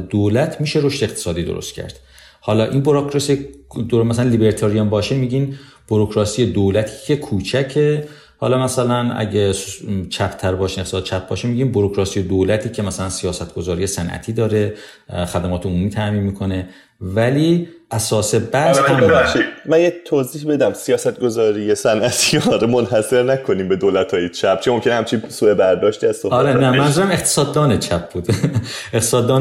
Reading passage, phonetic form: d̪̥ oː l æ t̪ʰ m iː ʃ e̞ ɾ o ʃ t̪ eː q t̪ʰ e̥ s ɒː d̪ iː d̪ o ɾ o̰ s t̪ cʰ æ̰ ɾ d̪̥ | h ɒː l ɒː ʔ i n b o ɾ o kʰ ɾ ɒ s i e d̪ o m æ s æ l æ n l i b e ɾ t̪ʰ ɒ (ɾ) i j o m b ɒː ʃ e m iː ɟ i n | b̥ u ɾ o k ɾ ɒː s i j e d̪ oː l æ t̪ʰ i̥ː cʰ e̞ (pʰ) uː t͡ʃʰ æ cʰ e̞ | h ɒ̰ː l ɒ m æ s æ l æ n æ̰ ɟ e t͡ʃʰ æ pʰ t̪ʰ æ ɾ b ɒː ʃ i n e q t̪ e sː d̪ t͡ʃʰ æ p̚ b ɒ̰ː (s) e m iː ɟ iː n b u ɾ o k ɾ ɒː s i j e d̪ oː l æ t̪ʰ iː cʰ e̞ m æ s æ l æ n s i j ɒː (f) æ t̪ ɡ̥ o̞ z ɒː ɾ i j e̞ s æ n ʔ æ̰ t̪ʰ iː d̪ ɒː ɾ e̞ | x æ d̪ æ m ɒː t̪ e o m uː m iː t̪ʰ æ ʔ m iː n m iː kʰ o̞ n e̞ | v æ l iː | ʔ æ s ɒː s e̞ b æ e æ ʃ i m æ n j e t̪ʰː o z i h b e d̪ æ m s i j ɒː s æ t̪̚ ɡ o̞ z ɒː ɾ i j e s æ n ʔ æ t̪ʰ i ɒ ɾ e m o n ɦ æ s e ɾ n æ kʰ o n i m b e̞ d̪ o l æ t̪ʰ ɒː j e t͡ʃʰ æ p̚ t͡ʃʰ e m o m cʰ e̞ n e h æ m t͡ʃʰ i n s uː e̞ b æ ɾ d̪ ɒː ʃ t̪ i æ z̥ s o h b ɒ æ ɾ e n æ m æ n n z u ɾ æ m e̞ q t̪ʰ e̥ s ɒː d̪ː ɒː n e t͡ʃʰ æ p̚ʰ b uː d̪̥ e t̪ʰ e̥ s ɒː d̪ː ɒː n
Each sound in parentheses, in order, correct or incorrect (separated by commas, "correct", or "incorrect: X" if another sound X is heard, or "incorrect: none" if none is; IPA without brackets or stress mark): correct, incorrect: kʰ, incorrect: ʃ, incorrect: s